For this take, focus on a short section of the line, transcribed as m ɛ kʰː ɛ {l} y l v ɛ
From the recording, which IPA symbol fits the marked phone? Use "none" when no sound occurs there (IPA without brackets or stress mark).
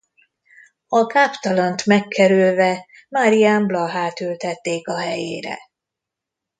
ɾ